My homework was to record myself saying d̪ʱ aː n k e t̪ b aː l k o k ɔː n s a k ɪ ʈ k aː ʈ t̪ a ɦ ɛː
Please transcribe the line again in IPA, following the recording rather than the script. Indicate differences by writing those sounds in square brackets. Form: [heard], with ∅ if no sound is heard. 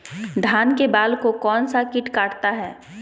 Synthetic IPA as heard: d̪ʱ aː n k e [∅] b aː l k o k ɔː n s a k ɪ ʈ k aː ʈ t̪ a ɦ ɛː